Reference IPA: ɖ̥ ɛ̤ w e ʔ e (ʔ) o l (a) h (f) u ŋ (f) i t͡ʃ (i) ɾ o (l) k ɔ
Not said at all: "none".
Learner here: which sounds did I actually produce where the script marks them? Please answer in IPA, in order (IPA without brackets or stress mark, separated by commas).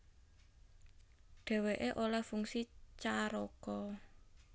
ʔ, a, f, s, a, none